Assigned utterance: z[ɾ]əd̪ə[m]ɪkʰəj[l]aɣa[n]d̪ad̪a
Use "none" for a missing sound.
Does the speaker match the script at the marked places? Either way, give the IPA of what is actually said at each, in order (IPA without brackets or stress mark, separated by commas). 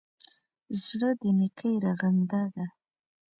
ɽ, n, ɾ, n